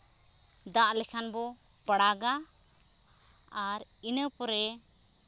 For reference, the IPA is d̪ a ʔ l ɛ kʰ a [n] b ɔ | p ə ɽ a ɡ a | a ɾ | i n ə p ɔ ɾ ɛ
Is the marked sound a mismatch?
no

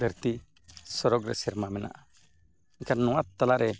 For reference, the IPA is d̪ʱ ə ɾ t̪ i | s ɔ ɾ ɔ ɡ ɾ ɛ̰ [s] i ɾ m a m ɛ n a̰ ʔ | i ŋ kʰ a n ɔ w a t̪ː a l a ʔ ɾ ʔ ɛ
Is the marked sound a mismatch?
no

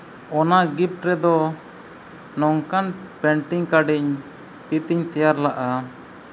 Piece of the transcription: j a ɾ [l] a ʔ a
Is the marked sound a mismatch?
no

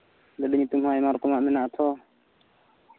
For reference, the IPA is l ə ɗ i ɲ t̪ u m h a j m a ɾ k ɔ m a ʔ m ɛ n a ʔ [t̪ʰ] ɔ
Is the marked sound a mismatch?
no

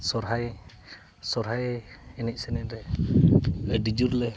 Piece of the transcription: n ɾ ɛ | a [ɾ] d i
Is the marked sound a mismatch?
yes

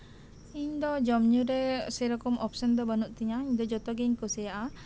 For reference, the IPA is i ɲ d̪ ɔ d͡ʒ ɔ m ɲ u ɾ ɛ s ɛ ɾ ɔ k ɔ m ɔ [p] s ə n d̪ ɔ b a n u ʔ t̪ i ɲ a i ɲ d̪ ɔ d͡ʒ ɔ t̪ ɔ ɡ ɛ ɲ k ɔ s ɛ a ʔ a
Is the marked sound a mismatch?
no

